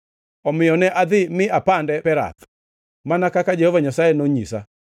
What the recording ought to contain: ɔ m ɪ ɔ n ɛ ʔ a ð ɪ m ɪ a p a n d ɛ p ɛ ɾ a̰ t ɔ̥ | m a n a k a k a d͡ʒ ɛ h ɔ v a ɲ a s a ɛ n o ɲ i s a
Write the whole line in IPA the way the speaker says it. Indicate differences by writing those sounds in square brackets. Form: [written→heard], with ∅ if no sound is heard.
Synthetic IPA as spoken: ɔ m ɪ ɔ n ɛ ʔ a ð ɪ m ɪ a p a n d ɛ p ɛ ɾ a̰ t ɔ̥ | m a n a k a k a d͡ʒ ɛ h ɔ v a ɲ a s a ɛ n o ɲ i s a

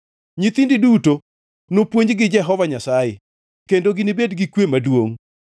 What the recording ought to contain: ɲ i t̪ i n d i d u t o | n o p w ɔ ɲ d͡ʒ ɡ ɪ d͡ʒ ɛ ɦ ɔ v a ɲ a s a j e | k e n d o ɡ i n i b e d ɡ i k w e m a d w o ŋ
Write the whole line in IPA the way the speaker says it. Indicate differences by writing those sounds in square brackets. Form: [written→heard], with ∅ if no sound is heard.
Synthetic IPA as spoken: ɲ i t̪ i n d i d u t o | n o p w [ɔ→o] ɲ d͡ʒ ɡ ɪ d͡ʒ ɛ ɦ ɔ v a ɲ a s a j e | k e n d o ɡ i n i b e d ɡ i k w e m a d w o ŋ

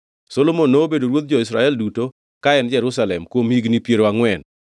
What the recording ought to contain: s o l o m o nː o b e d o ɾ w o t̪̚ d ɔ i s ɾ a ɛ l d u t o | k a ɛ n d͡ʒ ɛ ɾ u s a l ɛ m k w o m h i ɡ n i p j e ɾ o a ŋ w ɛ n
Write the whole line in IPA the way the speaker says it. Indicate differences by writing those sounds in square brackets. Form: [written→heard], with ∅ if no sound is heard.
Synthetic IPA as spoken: s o l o m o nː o b e d o ɾ w o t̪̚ [d→d͡ʒ] ɔ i s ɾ a ɛ l d u t o | k a ɛ n d͡ʒ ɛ ɾ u s a l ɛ m k w o m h i ɡ n i p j e ɾ o a ŋ w ɛ n

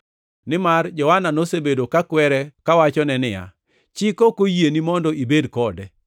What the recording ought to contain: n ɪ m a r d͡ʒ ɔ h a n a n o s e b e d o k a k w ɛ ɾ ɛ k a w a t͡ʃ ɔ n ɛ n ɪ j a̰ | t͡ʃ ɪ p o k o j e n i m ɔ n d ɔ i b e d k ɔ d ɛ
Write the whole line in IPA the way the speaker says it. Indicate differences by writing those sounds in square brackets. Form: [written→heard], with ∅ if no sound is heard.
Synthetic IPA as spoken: n ɪ m a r d͡ʒ ɔ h a n a n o s e b e d o k a k w ɛ ɾ ɛ k a w a t͡ʃ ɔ n ɛ n ɪ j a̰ | t͡ʃ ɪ [p→k] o k o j e n i m ɔ n d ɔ i b e d k ɔ d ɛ

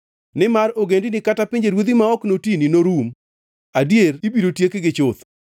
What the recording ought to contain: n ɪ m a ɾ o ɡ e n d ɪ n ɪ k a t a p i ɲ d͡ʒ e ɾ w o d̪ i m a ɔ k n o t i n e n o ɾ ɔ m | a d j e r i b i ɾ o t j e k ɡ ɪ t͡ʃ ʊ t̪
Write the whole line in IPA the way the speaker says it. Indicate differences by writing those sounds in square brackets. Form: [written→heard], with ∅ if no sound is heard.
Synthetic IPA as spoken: n ɪ m a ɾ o ɡ e n d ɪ n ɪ k a t a p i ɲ d͡ʒ e ɾ w o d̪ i m a ɔ k n o t i n [e→i] n o ɾ [ɔ→u] m | a d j e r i b i ɾ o t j e k ɡ ɪ t͡ʃ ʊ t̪

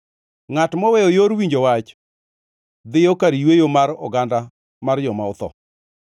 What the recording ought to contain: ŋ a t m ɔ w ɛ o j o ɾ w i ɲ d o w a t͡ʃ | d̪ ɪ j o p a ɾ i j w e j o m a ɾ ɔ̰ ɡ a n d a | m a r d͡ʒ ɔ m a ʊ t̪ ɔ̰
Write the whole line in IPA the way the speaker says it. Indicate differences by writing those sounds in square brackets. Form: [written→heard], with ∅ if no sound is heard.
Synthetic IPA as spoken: ŋ a t m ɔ w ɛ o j o ɾ w i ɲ [d→d͡ʒ] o w a t͡ʃ | d̪ ɪ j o [p→k] a ɾ i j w e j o m a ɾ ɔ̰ ɡ a n d a | m a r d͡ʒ ɔ m a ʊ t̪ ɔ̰

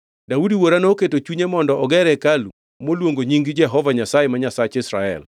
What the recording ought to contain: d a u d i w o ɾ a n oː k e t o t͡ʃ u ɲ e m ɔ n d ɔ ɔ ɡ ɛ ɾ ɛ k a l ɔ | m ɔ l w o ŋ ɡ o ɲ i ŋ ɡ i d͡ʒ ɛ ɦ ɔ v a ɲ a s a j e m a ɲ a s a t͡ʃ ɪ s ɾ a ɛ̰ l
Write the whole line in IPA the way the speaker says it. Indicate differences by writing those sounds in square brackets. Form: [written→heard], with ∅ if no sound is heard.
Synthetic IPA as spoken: d a u d i w o ɾ a n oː k e t o t͡ʃ u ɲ e m ɔ n d ɔ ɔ ɡ ɛ ɾ ɛ k a l [ɔ→u] | m [ɔ→o] l w o ŋ ɡ o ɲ i ŋ ɡ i d͡ʒ ɛ ɦ ɔ v a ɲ a s a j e m a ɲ a s a t͡ʃ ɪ s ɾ a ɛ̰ l

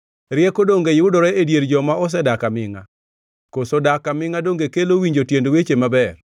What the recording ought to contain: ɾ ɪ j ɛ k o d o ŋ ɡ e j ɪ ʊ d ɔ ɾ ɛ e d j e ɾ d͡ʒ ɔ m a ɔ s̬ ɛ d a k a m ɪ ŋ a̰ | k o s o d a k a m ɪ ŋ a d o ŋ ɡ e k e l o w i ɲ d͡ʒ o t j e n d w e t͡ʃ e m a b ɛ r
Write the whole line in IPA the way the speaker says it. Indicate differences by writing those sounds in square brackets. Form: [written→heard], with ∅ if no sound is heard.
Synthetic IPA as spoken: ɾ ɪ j ɛ k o d o ŋ ɡ e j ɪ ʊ d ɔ ɾ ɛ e d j e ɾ d͡ʒ ɔ m a ɔ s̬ ɛ d a k a m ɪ ŋ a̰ | k o s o d a k a m ɪ ŋ a d o ŋ ɡ e k e l o w i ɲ d͡ʒ o t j e n d w e t͡ʃ e m a b ɛ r

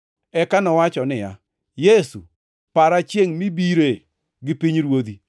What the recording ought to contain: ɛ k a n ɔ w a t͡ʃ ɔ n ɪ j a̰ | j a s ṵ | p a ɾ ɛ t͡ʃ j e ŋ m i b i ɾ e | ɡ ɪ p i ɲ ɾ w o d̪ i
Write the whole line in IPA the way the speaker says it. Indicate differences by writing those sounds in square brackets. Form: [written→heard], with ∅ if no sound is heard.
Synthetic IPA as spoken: ɛ k a n ɔ w a t͡ʃ ɔ n ɪ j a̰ | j [a→e] s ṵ | p a ɾ [ɛ→a] t͡ʃ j e ŋ m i b i ɾ e | ɡ ɪ p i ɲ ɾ w o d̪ i

